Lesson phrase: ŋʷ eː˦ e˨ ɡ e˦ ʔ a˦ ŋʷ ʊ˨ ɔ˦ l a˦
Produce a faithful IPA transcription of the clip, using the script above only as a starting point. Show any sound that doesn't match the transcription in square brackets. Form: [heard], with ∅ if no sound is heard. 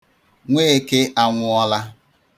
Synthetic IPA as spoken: ŋʷ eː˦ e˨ [k] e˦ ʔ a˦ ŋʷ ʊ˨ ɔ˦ l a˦